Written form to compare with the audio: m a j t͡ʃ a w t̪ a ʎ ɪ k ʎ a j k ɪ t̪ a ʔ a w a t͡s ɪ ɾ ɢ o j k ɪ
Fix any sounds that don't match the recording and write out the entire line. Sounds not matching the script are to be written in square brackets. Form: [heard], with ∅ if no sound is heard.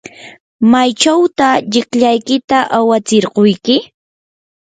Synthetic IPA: m a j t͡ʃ a w t̪ a ʎ ɪ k ʎ a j k ɪ t̪ a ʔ a w a t͡s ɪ ɾ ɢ o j k ɪ